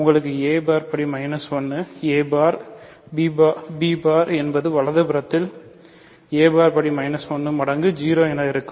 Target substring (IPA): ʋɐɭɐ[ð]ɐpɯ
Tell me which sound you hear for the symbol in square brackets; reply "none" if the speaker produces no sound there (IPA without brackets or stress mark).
ð